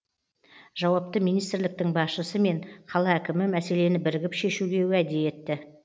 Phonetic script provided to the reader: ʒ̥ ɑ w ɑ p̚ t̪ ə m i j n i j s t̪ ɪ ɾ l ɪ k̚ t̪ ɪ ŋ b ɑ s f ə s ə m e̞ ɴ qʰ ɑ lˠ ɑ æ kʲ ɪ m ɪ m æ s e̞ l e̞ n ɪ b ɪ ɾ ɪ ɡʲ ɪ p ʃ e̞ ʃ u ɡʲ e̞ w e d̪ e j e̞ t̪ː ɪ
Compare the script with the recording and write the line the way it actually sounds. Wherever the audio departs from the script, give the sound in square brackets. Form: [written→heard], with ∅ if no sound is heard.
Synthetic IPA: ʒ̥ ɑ w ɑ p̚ t̪ ə m i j n i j s t̪ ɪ ɾ l ɪ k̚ t̪ ɪ ŋ b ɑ s [f→ʃ] ə s ə m e̞ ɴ qʰ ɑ lˠ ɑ æ kʲ ɪ m ɪ m æ s e̞ l e̞ n ɪ b ɪ ɾ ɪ ɡʲ ɪ p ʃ e̞ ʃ u ɡʲ e̞ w [e→æ] d̪ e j e̞ t̪ː ɪ